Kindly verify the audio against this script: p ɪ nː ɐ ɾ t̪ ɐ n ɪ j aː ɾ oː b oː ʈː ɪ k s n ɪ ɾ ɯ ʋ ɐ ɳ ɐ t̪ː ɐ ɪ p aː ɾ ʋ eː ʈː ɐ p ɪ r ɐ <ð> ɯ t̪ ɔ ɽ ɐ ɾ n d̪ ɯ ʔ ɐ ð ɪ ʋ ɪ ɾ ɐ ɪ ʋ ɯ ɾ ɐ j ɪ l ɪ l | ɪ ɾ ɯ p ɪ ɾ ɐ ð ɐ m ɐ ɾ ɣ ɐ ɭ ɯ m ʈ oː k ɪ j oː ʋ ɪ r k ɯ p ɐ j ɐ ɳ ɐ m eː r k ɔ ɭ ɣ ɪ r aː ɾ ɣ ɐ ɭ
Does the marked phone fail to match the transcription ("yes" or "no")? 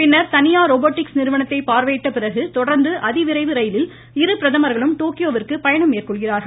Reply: yes